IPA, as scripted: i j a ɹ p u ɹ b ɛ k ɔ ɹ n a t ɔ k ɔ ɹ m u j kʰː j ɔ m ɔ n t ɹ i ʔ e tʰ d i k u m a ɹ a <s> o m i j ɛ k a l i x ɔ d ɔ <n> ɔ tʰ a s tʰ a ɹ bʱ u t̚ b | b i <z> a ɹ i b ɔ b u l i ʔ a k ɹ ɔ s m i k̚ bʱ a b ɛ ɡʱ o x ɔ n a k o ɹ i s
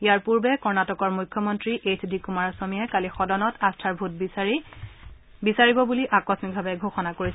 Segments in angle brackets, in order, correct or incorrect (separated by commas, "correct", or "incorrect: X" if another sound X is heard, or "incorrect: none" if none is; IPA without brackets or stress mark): correct, correct, incorrect: s